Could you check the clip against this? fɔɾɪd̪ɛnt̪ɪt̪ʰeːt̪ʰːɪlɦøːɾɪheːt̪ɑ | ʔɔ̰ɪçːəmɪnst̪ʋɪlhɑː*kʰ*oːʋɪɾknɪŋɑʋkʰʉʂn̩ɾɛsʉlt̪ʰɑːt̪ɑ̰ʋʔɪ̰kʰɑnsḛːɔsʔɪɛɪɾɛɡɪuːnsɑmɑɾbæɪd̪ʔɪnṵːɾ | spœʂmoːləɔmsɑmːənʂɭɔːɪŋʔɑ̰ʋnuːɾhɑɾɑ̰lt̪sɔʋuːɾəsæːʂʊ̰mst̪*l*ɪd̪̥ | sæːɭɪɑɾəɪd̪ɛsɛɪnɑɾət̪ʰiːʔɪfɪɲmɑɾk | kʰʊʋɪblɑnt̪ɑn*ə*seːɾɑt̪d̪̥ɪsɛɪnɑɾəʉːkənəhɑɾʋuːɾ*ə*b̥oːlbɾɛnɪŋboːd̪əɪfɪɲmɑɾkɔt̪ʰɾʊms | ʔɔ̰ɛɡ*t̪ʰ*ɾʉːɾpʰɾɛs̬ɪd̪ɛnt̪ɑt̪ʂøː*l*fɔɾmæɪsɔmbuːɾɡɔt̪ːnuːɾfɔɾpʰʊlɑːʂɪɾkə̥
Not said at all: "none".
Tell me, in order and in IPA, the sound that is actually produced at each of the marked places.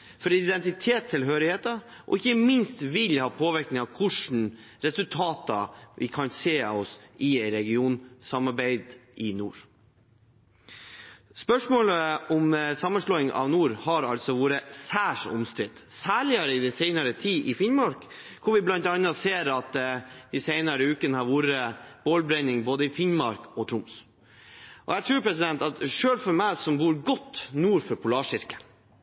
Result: pʰ, ɾ, ɑ, ə, t̪ʰ, l

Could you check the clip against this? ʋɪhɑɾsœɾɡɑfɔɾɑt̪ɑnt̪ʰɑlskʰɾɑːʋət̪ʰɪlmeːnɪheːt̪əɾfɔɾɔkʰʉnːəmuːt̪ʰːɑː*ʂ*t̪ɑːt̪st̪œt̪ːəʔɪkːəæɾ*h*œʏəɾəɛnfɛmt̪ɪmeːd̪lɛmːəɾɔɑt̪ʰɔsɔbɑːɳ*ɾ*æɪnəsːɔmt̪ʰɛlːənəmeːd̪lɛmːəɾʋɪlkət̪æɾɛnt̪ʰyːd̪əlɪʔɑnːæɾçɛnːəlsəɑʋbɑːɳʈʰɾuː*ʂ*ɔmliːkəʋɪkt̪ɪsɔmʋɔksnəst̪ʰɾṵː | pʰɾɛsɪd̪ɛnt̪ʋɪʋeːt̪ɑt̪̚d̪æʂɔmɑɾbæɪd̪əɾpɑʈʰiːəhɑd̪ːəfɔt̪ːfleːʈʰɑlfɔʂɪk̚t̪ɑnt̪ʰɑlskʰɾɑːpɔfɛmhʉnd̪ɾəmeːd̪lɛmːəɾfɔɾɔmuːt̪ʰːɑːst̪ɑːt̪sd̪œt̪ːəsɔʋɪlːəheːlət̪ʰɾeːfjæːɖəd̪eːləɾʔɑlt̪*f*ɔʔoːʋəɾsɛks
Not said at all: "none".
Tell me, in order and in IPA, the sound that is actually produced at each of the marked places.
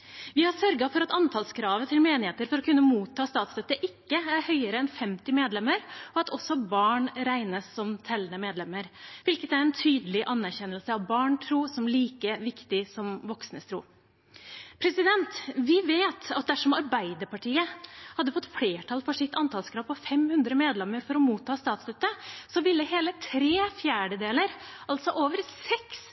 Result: s, h, ɾ, s, s

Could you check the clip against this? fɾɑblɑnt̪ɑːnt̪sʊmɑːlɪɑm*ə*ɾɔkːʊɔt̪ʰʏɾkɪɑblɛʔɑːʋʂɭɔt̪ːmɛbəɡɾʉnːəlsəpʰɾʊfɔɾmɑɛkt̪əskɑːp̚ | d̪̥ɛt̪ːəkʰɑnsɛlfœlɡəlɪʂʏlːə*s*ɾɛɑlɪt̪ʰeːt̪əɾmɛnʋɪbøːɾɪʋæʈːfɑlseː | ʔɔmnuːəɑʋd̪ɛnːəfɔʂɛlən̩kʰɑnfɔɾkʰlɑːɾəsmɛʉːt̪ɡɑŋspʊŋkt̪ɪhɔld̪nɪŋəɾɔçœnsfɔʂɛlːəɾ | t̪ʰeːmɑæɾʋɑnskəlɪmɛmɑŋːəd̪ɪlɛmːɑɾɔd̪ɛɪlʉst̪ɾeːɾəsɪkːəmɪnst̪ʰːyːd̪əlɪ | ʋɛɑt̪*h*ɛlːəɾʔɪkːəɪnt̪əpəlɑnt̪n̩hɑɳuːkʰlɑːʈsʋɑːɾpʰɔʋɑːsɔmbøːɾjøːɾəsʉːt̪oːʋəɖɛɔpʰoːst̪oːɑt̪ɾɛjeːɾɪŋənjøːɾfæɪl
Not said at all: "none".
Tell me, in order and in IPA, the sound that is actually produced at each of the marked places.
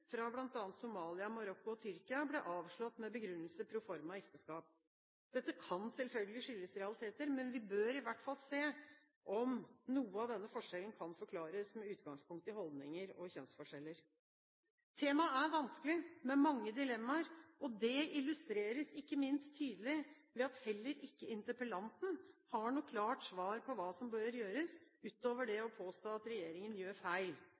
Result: ɑ, s, h

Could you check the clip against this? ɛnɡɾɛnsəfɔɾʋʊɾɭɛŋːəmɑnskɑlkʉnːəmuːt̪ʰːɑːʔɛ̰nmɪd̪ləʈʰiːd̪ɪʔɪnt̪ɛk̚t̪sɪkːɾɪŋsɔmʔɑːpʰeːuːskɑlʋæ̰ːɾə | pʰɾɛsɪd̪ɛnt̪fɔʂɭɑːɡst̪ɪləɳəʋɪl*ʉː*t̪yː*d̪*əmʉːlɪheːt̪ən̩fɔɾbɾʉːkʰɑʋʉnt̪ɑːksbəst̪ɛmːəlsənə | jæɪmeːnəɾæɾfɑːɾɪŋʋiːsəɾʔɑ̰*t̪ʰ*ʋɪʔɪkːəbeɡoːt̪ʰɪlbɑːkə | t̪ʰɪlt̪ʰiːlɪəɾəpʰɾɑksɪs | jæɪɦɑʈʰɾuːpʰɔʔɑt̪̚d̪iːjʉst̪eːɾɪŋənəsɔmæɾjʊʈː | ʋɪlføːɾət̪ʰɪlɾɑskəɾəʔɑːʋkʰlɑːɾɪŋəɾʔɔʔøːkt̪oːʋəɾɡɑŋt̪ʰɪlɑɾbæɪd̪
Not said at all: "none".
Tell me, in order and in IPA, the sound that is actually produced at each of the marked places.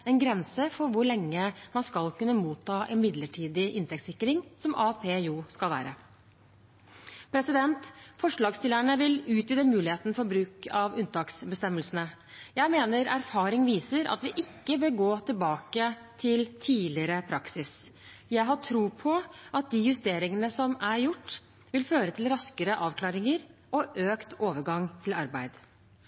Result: ʉː, d̪, t̪

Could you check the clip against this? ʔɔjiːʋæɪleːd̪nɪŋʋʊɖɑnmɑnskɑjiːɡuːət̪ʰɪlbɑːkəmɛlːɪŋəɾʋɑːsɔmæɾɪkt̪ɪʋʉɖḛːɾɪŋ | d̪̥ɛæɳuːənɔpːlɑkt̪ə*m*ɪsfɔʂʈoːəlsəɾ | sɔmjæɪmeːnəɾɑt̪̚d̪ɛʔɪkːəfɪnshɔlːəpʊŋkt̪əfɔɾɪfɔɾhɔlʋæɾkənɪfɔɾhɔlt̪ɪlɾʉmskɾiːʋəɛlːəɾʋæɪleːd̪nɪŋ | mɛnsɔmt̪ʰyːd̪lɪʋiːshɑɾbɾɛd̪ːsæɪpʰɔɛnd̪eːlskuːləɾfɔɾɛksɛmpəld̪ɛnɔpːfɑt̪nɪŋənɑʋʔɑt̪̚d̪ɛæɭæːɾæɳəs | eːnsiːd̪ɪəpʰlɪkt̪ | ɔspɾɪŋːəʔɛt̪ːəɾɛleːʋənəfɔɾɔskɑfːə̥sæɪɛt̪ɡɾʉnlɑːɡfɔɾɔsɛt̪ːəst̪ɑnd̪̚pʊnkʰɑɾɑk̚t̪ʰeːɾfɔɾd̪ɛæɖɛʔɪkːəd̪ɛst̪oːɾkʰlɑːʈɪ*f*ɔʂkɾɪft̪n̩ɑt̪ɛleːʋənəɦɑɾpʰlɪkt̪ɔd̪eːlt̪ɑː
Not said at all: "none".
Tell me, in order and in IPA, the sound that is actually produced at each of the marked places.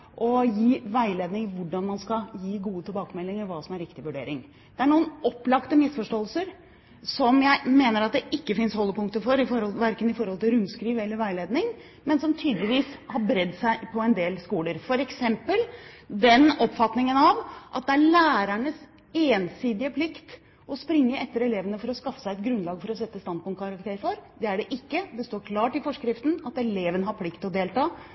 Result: m, f

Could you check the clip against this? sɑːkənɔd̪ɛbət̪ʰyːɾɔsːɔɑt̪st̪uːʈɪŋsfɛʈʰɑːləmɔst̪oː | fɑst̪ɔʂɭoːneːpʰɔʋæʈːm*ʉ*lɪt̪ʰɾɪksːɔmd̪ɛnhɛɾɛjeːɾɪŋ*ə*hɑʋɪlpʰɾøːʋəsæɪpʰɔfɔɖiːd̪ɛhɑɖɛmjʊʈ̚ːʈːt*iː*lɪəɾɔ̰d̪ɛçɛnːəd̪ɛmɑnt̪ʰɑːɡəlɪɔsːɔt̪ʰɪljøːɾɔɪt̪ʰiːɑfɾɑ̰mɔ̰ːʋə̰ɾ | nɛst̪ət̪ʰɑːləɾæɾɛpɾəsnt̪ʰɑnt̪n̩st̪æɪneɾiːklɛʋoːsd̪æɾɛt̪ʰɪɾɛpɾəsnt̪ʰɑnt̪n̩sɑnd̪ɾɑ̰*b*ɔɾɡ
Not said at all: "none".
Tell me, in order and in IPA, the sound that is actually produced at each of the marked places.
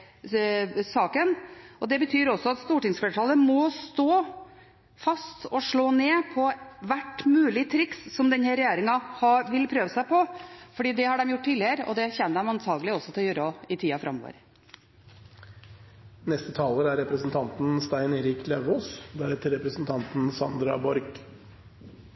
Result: ʉː, ɑ, iː, b

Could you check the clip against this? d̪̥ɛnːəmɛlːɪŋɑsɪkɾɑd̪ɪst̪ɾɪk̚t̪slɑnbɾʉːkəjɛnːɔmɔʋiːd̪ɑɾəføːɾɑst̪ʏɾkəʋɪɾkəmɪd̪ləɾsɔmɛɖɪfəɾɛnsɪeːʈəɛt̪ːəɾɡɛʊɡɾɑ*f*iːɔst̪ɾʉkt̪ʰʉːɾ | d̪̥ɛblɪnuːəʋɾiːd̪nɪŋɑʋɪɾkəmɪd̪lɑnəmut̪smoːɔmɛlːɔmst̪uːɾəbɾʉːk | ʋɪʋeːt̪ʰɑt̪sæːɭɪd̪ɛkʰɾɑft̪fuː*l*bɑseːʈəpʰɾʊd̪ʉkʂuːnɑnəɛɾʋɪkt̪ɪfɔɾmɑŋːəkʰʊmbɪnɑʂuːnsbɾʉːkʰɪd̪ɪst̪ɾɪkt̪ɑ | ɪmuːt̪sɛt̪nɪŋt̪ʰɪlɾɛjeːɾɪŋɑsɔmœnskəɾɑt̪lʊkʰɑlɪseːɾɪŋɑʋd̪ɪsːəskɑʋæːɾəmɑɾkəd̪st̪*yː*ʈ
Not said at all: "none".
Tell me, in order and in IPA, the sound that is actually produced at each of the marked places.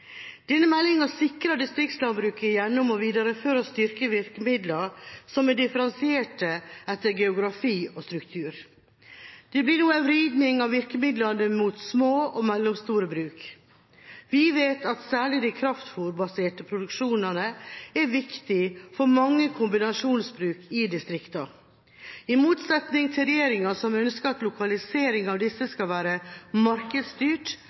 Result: f, ɾ, yː

